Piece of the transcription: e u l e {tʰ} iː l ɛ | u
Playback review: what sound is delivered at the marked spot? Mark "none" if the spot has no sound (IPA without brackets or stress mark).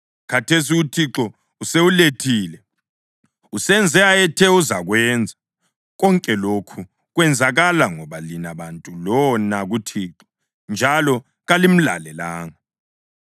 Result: tʰ